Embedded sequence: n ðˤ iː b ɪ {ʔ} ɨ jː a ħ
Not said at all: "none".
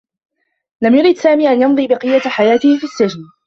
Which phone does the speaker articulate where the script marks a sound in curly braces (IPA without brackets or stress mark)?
q